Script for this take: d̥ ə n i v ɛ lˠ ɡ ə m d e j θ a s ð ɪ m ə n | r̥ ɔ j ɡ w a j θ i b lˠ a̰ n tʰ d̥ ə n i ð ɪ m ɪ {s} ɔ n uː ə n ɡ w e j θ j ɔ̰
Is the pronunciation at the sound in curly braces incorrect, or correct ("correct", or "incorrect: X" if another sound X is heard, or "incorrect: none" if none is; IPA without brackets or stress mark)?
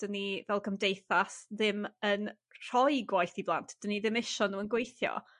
incorrect: ʃ